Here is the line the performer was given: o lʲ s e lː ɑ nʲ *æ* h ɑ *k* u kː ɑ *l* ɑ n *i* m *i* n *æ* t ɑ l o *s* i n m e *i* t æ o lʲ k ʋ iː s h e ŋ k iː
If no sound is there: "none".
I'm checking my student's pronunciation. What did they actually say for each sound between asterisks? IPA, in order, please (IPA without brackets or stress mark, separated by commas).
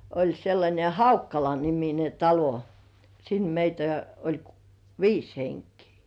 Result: e, none, l, i, i, e, s, i